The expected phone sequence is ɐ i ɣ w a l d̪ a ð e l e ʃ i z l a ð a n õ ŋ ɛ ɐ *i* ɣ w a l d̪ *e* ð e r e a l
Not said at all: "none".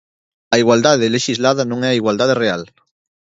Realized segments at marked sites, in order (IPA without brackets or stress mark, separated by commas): i, a